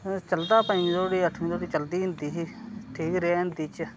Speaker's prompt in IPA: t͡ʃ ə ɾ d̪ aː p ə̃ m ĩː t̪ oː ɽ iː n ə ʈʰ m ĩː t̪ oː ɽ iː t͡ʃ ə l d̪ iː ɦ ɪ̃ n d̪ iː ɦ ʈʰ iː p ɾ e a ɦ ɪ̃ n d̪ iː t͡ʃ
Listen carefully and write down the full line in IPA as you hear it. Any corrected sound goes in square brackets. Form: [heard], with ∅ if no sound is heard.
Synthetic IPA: t͡ʃ ə [l] d̪ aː p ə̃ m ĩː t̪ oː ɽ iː [∅] ə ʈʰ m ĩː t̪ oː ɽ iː t͡ʃ ə l d̪ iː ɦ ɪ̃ n d̪ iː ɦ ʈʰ iː [k] ɾ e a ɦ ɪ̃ n d̪ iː t͡ʃ